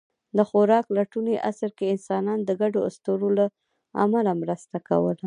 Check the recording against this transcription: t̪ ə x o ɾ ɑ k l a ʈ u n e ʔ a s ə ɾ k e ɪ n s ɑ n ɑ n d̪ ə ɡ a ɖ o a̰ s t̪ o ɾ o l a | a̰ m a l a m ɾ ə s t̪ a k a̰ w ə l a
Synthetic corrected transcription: d̪ ə x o ɾ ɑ k l a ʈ u n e ʔ a s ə ɾ k e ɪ n s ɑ n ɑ n d̪ ə ɡ a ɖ o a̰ s t̪ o ɾ o l a | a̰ m a l a m ɾ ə s t̪ a k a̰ w ə l a